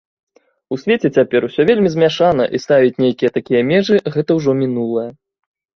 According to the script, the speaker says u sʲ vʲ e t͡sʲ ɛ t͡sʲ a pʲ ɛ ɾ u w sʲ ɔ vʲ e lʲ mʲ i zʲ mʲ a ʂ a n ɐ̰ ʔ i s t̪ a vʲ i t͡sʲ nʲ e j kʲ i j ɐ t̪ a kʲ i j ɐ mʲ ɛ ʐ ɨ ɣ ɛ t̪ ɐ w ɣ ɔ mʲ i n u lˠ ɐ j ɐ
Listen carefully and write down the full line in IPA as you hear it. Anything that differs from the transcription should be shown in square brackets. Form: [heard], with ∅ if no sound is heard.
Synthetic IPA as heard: u sʲ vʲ e t͡sʲ ɛ t͡sʲ a pʲ ɛ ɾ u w sʲ ɔ vʲ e lʲ mʲ i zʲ mʲ a ʂ a n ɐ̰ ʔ i s t̪ a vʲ i t͡sʲ nʲ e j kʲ i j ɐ t̪ a kʲ i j ɐ mʲ ɛ ʐ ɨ ɣ ɛ t̪ ɐ w [ʐ] ɔ mʲ i n u lˠ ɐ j ɐ